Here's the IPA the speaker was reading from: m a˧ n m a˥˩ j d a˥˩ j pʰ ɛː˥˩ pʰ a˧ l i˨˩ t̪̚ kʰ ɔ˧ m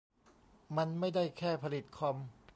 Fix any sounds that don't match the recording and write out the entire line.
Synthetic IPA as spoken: m a˧ n m a˥˩ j d a˥˩ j kʰ ɛː˥˩ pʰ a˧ l i˨˩ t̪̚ kʰ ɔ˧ m